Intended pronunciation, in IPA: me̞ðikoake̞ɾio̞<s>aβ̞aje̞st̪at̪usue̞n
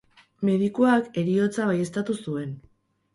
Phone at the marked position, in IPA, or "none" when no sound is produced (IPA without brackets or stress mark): t͡s